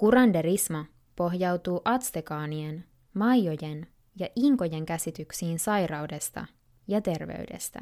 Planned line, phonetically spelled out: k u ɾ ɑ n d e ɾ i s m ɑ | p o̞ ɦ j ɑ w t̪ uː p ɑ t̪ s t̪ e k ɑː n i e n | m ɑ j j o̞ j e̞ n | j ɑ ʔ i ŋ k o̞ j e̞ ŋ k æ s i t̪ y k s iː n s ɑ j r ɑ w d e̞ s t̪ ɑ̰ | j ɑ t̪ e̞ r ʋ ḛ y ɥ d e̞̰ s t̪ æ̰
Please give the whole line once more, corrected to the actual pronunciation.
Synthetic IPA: k u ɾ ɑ n d e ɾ i s m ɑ | p o̞ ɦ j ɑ w t̪ uː ʔ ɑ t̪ s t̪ e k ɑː n i e n | m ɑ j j o̞ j e̞ n | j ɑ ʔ i ŋ k o̞ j e̞ ŋ k æ s i t̪ y k s iː n s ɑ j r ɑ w d e̞ s t̪ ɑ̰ | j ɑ t̪ e̞ r ʋ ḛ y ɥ d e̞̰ s t̪ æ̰